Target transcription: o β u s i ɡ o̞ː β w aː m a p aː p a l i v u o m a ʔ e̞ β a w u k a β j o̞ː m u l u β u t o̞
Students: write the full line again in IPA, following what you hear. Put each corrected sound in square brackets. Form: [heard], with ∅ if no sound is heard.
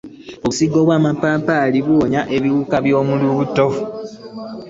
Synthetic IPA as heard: o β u s i ɡ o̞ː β w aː m a p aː p a l i [β] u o [ɲ] a ʔ e̞ β [i] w u k a β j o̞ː m u l u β u t o̞